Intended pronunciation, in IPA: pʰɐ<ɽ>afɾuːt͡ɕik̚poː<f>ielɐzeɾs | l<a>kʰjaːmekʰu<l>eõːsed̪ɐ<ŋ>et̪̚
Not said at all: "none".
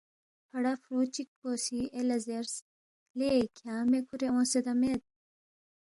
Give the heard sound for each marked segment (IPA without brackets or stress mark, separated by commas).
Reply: ɽ, s, e, ɾ, m